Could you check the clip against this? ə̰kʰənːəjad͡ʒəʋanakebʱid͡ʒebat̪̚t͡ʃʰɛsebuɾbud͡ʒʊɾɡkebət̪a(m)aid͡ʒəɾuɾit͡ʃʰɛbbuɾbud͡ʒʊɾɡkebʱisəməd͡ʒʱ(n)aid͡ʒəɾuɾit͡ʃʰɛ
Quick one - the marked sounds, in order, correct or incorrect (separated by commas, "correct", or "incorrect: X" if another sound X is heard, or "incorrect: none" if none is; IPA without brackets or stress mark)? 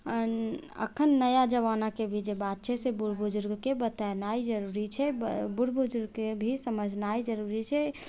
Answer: incorrect: n, correct